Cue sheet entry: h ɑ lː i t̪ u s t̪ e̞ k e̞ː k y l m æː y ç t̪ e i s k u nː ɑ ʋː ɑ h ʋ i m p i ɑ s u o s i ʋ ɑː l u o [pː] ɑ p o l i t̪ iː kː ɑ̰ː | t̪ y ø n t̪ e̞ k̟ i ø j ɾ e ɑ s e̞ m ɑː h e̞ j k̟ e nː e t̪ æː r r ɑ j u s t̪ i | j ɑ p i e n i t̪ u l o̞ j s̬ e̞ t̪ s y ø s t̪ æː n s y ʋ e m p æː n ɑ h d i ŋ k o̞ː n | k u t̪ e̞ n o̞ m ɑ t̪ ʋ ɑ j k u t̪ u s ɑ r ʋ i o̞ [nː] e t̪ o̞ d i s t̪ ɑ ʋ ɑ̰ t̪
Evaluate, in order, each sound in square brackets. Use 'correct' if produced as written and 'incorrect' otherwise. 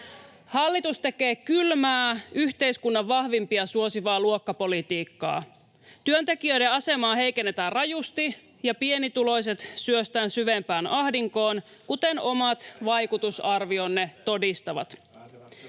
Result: incorrect: kː, correct

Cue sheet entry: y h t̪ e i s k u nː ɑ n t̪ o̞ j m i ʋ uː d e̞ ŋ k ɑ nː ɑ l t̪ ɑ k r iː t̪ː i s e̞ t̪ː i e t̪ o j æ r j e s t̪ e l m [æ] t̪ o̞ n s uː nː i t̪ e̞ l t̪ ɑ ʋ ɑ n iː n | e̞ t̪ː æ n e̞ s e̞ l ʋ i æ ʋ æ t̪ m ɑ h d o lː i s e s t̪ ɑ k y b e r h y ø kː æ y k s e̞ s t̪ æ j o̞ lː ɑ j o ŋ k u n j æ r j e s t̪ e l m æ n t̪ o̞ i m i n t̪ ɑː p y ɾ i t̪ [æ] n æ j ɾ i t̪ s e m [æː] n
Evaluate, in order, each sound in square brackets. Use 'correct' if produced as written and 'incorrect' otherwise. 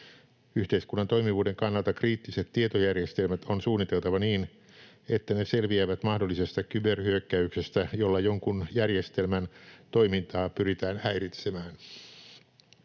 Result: correct, incorrect: æː, correct

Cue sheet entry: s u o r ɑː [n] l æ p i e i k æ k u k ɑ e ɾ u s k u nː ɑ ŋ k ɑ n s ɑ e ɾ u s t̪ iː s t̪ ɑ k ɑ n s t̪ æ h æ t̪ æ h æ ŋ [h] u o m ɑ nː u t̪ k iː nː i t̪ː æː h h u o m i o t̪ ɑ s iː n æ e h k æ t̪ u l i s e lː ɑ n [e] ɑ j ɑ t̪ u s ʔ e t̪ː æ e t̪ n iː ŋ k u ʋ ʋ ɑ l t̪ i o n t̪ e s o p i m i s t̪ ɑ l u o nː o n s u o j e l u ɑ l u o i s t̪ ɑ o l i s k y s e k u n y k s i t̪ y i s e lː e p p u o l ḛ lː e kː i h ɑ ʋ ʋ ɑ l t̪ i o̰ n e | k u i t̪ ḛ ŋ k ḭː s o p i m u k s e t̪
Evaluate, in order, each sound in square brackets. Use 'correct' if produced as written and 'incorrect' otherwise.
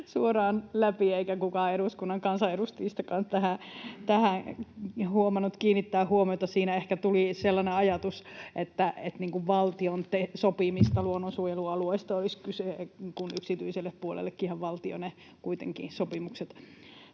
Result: correct, correct, correct

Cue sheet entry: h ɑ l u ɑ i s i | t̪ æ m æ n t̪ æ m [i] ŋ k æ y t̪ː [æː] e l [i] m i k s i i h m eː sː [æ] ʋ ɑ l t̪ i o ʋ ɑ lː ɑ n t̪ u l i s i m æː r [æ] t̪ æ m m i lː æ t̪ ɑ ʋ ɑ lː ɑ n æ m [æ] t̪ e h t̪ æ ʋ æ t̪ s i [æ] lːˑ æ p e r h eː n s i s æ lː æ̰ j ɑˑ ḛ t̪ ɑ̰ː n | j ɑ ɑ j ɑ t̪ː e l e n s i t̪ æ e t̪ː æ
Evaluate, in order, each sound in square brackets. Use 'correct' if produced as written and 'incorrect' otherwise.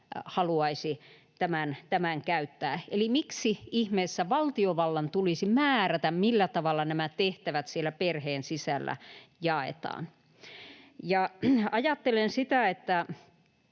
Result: incorrect: æ, correct, correct, correct, correct, correct, incorrect: e

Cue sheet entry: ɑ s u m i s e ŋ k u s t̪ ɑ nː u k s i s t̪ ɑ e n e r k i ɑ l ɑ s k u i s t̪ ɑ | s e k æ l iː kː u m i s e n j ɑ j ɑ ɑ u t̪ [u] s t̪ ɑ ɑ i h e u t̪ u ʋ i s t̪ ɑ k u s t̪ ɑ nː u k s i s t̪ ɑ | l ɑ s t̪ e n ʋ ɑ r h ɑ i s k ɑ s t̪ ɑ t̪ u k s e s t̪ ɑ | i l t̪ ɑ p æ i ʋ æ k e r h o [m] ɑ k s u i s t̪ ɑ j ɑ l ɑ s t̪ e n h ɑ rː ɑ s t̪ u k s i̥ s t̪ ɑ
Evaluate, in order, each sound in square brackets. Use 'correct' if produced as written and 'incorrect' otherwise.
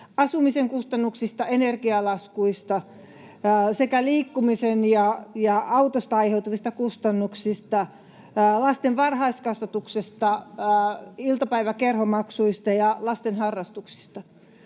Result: incorrect: o, correct

